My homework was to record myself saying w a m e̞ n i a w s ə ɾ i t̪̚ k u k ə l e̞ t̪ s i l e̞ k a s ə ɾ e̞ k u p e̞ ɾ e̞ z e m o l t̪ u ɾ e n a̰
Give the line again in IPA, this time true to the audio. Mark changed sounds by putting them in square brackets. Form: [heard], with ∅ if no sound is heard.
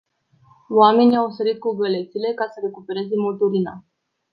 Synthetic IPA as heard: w a m e̞ n i a w s ə ɾ i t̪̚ k u [ɡ] ə l e̞ t̪ s i l e̞ k a s ə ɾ e̞ k u p e̞ ɾ e̞ z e m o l t̪ u ɾ [i] n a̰